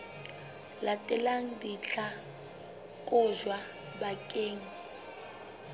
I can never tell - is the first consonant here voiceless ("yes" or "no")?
no